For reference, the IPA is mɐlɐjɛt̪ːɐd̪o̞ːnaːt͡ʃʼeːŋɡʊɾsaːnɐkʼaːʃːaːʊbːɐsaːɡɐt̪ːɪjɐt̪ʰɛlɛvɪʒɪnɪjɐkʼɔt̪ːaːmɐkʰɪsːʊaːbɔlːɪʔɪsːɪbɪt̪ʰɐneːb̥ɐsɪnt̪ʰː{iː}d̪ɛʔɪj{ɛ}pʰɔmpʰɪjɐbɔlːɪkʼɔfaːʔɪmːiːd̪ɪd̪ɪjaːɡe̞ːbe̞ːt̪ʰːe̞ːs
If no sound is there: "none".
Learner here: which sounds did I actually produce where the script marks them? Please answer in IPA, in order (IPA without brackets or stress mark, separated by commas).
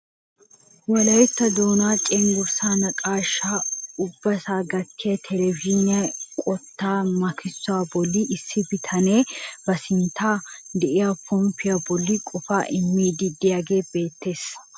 aː, a